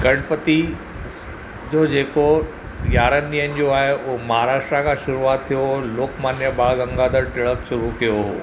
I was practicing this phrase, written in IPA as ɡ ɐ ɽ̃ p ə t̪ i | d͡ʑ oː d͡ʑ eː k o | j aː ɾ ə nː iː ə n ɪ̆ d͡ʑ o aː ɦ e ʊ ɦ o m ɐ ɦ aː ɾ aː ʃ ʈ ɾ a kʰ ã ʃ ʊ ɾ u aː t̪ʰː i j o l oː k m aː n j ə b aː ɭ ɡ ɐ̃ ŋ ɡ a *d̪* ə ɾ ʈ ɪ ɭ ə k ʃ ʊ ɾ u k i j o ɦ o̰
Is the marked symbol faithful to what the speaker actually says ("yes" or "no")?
yes